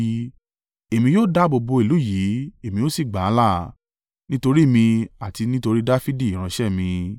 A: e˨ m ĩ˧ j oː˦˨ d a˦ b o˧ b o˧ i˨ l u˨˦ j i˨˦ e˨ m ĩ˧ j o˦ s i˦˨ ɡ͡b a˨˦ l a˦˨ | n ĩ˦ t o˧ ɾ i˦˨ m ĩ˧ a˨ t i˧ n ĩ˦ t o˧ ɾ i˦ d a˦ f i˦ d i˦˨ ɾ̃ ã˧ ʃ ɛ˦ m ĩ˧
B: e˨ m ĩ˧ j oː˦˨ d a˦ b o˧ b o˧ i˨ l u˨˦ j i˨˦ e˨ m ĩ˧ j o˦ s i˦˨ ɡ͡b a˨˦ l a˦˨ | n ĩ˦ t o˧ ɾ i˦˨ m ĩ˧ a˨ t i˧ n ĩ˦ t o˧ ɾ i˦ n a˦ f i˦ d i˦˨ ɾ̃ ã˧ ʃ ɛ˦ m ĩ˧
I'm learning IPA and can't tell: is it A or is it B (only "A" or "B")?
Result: A